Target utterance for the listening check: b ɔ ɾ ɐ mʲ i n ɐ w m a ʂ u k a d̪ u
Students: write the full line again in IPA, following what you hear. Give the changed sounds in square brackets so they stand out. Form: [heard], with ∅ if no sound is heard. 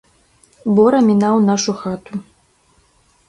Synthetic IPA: b ɔ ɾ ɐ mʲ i n [a] w [n] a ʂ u [x] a [t̪] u